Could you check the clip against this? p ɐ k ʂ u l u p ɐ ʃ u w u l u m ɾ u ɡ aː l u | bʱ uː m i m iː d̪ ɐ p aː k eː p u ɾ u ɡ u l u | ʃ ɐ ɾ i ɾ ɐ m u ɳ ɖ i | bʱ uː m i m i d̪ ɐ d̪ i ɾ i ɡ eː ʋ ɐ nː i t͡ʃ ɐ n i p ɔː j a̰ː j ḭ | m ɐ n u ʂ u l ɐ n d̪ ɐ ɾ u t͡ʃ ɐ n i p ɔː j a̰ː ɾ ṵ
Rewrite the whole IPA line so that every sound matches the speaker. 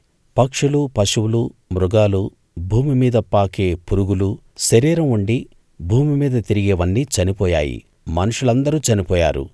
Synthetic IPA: p ɐ k ʂ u l u p ɐ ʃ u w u l u m ɾ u ɡ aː l u | bʱ uː m i m iː d̪ ɐ p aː k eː p u ɾ u ɡ u l u | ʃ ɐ ɾ iː ɾ ɐ m u ɳ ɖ i | bʱ uː m i m iː d̪ ɐ t̪ i ɾ i ɡ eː ʋ ɐ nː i t͡ʃ ɐ n i p ɔː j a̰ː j ḭ | m ɐ n u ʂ u l ɐ n d̪ ɐ ɾ u t͡ʃ ɐ n i p ɔː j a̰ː ɾ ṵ